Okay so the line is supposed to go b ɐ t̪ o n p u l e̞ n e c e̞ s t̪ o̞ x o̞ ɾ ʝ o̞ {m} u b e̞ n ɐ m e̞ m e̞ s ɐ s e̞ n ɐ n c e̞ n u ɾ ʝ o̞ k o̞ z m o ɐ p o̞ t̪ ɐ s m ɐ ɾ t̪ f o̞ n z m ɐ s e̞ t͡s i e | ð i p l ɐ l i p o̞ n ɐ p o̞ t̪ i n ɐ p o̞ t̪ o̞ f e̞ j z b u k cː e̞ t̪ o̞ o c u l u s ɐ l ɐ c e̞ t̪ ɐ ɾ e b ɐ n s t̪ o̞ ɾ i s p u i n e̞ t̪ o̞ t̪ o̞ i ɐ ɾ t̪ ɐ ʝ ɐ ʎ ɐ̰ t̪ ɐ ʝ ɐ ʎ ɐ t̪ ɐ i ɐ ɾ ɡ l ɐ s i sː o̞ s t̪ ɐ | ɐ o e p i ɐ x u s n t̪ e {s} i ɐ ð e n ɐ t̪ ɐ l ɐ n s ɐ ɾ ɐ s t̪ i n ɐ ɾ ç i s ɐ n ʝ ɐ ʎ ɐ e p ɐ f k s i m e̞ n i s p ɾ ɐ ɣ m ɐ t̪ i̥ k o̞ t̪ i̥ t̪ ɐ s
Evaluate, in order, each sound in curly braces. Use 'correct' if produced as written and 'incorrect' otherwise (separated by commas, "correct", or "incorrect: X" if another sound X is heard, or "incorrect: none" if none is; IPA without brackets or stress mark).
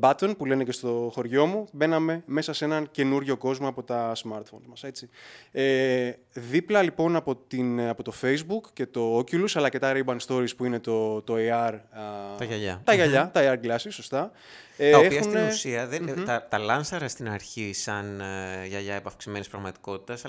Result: correct, correct